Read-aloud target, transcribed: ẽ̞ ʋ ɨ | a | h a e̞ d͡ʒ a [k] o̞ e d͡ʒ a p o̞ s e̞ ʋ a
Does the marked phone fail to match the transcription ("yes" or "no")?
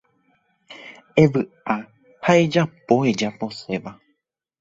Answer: yes